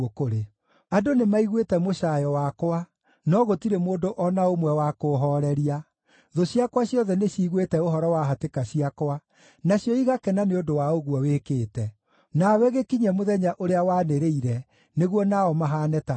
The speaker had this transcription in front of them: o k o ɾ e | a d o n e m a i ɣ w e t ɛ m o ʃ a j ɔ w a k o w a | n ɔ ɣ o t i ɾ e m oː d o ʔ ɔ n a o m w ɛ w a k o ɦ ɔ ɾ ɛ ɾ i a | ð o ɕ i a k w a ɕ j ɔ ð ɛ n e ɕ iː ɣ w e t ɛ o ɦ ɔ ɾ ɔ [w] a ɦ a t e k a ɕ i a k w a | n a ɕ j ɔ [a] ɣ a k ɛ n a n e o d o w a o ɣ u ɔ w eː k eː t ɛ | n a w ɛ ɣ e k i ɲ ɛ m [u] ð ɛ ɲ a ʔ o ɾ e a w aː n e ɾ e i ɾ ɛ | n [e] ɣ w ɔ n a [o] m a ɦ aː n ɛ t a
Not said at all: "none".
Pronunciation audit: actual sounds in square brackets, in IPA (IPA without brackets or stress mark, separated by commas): w, i, o, e, ɔ